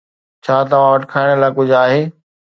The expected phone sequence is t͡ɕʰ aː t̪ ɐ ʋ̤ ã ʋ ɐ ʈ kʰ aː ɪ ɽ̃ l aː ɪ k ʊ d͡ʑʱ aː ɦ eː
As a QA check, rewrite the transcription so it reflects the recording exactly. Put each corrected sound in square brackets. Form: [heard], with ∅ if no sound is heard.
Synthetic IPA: t͡ɕʰ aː t̪ ɐ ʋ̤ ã ʋ ɐ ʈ kʰ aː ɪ ɽ̃ l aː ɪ k ʊ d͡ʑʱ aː ɦ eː